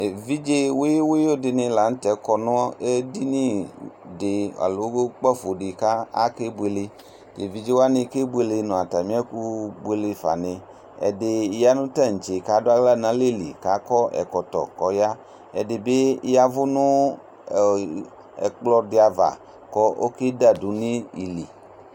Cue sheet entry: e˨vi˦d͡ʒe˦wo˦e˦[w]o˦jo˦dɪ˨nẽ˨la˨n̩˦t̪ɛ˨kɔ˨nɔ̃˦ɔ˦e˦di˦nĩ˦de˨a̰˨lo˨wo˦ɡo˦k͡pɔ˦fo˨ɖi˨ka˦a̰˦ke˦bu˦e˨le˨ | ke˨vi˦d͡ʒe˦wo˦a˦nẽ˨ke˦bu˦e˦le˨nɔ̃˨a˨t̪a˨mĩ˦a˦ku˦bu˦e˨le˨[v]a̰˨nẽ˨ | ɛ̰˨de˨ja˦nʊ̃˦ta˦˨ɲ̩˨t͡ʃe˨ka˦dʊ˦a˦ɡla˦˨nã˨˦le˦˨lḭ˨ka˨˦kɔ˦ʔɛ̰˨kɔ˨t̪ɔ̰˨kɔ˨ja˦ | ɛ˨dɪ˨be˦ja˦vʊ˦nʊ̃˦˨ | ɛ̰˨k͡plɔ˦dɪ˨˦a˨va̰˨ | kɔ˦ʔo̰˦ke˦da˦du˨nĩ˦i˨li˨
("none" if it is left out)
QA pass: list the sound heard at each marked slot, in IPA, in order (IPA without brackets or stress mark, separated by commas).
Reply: w, f